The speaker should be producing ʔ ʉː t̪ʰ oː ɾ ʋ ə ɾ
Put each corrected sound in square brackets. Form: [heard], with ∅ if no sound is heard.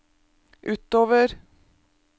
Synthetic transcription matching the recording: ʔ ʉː [t̪] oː [∅] ʋ ə ɾ

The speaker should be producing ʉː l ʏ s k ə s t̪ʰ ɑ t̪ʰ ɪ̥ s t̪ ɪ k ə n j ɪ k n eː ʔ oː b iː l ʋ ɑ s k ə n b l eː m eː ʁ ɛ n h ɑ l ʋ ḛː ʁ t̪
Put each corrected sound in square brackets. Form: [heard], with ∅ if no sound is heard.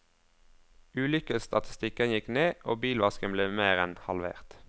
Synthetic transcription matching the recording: ʉː l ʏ [∅] k ə s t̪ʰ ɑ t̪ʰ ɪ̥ s t̪ ɪ k ə n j ɪ k n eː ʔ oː b iː l ʋ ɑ s k ə n b l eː m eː ʁ ɛ n h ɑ l ʋ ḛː ʁ t̪

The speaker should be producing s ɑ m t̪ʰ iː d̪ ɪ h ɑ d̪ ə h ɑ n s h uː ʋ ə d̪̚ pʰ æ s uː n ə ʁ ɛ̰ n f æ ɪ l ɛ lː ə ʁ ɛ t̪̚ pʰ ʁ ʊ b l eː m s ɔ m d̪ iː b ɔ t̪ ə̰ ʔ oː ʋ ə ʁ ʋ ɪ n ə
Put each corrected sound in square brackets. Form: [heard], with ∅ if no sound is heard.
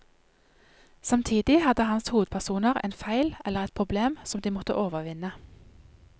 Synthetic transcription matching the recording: s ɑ m t̪ʰ iː d̪ ɪ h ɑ d̪ ə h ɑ n s h uː ʋ ə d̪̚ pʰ æ s uː n ə ʁ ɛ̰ n f æ ɪ l ɛ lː ə ʁ ɛ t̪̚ pʰ ʁ ʊ b l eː m s ɔ m d̪ iː [m] ɔ t̪ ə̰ ʔ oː ʋ ə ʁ ʋ ɪ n ə

